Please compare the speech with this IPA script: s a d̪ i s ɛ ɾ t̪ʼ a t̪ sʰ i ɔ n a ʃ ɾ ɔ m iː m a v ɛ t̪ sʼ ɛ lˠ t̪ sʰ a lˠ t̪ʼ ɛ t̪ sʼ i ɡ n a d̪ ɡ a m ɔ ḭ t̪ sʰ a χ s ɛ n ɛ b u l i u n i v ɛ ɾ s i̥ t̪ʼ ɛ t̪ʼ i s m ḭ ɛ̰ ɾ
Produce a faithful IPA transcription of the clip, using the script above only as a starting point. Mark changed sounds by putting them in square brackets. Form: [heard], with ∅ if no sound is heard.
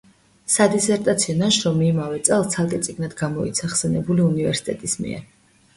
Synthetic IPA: s a d̪ i s ɛ ɾ t̪ʼ a t̪ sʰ i ɔ n a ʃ ɾ ɔ m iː m a v ɛ t̪ sʼ ɛ lˠ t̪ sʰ a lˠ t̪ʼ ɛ t̪ sʼ i ɡ n a d̪ ɡ a m ɔ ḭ t̪ sʰ a χ s ɛ n ɛ b u l i u n i v ɛ ɾ s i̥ t̪ʼ ɛ t̪ʼ i s m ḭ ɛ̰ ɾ

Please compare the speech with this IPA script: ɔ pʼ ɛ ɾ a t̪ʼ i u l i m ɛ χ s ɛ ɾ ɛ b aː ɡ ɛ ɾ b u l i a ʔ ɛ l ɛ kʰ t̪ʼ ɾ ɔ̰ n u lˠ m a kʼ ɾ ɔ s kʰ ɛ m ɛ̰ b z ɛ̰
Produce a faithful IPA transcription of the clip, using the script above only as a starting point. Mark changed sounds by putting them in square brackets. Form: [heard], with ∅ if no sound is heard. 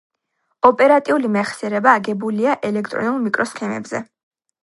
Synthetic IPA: ɔ pʼ ɛ ɾ a t̪ʼ i u l i m ɛ χ s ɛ ɾ ɛ b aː ɡ ɛ [∅] b u l i a ʔ ɛ l ɛ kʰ t̪ʼ ɾ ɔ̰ n u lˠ m [i] kʼ ɾ ɔ s kʰ ɛ m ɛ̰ b z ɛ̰

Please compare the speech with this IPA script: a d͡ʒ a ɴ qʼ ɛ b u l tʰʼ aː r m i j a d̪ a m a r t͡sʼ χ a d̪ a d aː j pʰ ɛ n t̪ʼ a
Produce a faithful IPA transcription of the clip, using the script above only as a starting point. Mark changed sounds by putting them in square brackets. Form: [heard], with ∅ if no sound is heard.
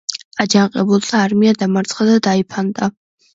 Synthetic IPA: a d͡ʒ a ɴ qʼ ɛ b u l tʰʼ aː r m i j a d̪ a m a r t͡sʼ χ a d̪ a d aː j pʰ [a] n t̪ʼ a

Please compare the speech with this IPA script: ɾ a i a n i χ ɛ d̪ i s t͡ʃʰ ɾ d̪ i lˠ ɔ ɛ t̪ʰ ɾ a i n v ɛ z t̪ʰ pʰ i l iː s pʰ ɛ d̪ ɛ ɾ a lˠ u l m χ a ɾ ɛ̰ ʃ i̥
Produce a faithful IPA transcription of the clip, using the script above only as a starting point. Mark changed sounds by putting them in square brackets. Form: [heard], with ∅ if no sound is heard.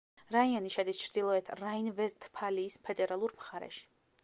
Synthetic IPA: ɾ a i a n i [ʃ] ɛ d̪ i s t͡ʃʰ ɾ d̪ i lˠ ɔ ɛ t̪ʰ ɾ a i n v ɛ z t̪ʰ pʰ [a] l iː s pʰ ɛ d̪ ɛ ɾ a lˠ u [ɾ] m χ a ɾ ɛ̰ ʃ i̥

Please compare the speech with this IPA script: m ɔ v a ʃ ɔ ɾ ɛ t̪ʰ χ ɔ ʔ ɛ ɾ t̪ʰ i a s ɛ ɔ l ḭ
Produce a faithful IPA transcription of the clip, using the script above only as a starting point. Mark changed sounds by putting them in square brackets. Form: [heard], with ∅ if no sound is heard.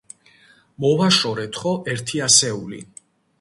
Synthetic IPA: m ɔ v a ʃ ɔ ɾ ɛ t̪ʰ χ ɔ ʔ ɛ ɾ t̪ʰ i a s ɛ [u] l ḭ

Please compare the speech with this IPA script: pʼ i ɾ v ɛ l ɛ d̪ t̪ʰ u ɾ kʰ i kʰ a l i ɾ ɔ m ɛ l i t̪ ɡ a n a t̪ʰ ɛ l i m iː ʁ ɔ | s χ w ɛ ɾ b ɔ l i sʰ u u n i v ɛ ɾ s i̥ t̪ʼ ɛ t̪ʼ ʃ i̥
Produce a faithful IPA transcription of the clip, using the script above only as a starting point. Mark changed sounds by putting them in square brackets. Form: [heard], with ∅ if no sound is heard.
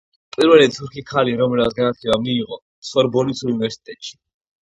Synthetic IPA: pʼ i ɾ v ɛ l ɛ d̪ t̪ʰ u ɾ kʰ i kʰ a l i ɾ ɔ m ɛ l [a] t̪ ɡ a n a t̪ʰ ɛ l [a] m iː ʁ ɔ | s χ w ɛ ɾ b ɔ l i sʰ u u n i v ɛ ɾ s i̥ t̪ʼ ɛ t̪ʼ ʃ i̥

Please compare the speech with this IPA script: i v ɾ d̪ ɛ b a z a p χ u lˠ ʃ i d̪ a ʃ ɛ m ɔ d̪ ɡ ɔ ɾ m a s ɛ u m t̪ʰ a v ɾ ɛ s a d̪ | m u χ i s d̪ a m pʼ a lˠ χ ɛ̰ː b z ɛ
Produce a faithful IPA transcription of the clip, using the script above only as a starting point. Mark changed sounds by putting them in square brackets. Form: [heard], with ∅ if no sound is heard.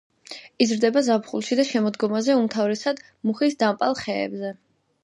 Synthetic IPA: i [z] ɾ d̪ ɛ b a z a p χ u lˠ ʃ i d̪ a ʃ ɛ m ɔ d̪ ɡ ɔ [∅] m a [z] ɛ u m t̪ʰ a v ɾ ɛ s a d̪ | m u χ i s d̪ a m pʼ a lˠ χ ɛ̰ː b z ɛ

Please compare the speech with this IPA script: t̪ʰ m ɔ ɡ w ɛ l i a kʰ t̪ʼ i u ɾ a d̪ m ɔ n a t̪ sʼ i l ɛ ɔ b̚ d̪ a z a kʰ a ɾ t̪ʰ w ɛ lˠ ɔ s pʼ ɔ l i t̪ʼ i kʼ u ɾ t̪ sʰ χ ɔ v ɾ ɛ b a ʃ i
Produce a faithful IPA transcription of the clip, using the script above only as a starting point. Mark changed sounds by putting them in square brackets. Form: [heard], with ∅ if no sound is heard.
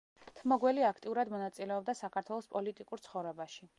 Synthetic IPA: t̪ʰ m ɔ ɡ w ɛ l i a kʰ t̪ʼ i u ɾ a d̪ m ɔ n a t̪ sʼ i l ɛ ɔ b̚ d̪ a [s] a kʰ a ɾ t̪ʰ w ɛ lˠ ɔ s pʼ ɔ l i t̪ʼ i kʼ u ɾ t̪ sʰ χ ɔ v ɾ ɛ b a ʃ i

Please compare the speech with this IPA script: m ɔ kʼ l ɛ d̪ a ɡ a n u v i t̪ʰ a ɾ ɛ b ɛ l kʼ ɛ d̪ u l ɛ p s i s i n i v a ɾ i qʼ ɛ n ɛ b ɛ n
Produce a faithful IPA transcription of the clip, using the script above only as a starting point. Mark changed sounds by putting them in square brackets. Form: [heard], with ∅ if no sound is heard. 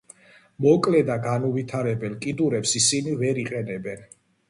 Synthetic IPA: m ɔ kʼ l ɛ d̪ a ɡ a n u v i t̪ʰ a ɾ ɛ b ɛ l kʼ [i] d̪ u [ɾ] ɛ p s i s i n i v [ɛ] ɾ i qʼ ɛ n ɛ b ɛ n

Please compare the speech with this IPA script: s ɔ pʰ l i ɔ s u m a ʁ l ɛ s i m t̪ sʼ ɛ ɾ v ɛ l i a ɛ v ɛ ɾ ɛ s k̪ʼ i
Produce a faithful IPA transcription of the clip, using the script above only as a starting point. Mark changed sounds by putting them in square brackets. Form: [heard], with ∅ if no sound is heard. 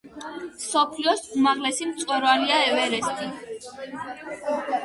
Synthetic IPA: s ɔ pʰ l i ɔ s u m a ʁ l ɛ s i m t̪ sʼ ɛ ɾ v [a] l i a ɛ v ɛ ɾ ɛ s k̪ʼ i

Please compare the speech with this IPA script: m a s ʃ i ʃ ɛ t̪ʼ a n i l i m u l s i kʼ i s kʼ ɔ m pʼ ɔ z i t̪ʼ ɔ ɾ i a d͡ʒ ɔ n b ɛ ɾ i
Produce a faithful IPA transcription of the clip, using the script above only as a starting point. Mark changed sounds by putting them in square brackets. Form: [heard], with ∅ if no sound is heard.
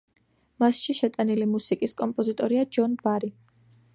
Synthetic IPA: m a s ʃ i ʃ ɛ t̪ʼ a n i l i m u [∅] s i kʼ i s kʼ ɔ m pʼ ɔ z i t̪ʼ ɔ ɾ i a d͡ʒ ɔ n b [a] ɾ i

